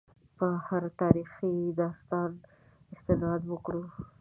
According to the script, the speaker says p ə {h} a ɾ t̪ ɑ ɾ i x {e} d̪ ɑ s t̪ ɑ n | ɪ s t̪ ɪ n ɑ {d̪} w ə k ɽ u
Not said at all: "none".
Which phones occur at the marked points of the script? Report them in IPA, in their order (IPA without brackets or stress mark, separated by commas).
h, i, d̪